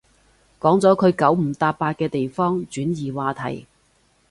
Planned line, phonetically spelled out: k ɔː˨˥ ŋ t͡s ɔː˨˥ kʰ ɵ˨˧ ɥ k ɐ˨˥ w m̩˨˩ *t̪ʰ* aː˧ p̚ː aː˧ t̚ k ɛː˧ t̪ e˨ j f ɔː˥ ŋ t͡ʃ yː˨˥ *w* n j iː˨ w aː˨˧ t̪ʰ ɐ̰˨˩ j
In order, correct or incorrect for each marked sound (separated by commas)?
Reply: incorrect, incorrect